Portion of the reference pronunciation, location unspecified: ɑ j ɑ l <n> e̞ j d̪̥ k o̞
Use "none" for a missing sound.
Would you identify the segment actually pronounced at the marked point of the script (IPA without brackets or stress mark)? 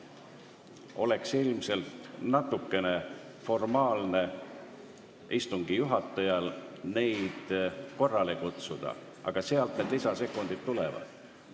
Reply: n